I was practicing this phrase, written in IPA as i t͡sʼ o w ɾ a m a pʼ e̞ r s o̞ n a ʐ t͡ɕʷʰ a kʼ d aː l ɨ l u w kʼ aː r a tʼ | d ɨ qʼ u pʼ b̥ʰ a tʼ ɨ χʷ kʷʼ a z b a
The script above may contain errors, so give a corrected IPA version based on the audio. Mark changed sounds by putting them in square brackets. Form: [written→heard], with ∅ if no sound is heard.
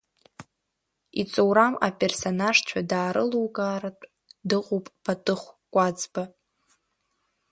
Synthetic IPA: i t͡sʼ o w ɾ a m a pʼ e̞ r s o̞ n a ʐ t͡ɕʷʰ a [kʼ→∅] d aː [l→ɾ] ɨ l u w kʼ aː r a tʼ | d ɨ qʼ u pʼ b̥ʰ a tʼ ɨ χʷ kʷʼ a [z→d͡z] b a